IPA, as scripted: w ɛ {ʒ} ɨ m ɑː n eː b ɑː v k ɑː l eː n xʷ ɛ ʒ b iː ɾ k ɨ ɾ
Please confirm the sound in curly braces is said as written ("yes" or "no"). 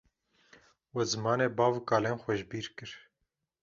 no